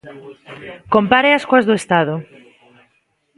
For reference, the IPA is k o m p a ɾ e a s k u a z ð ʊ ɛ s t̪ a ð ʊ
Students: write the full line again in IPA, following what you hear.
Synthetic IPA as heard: k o m p a ɾ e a s k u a z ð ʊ e s t̪ a ð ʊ

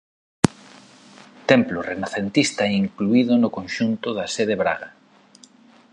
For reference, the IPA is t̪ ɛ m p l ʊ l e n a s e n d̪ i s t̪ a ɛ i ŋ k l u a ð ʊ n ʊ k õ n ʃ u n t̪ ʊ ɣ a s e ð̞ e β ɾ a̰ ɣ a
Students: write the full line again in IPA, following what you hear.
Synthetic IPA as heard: t̪ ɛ m p l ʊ r e n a θ e n t̪ i s t̪ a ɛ i ŋ k l u i ð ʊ n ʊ k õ n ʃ u n t̪ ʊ ð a s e ð̞ e β ɾ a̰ ɣ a

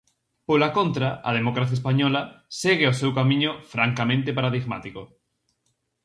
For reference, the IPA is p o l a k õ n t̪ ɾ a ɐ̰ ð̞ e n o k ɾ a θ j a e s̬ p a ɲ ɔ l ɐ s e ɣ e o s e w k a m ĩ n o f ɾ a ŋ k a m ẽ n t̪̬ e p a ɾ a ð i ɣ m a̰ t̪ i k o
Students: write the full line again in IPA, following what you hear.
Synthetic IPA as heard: p o l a k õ n t̪ ɾ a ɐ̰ ð̞ e m o k ɾ a θ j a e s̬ p a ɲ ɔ l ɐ s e ɣ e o s e w k a m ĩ ɲ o f ɾ a ŋ k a m ẽ n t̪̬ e p a ɾ a ð i ɣ m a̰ t̪ i k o

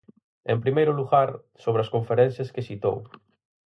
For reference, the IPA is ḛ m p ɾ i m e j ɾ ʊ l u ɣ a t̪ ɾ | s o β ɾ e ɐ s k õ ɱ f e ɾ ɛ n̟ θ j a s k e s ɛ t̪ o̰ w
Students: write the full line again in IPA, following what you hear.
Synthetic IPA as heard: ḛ m p ɾ i m e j ɾ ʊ l u ɣ a ɾ | s o β ɾ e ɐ s k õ ɱ f e ɾ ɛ n̟ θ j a s k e s i t̪ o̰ w

